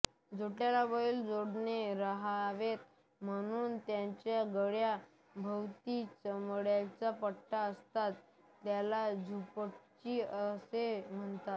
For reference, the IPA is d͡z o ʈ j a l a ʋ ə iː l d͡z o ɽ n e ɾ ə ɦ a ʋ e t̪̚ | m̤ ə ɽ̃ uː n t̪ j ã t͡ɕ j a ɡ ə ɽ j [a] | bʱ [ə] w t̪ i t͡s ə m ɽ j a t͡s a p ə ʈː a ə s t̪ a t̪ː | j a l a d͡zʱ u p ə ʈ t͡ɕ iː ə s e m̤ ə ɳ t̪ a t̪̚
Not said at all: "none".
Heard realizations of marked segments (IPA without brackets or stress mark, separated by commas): a, ə